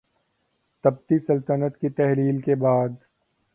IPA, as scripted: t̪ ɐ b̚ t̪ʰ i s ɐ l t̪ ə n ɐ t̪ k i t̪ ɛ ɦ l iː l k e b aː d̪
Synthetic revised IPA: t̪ ɐ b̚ t̪ i s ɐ l t̪ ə n ə t̪ k i t̪ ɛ ɦ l iː l k e b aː d̪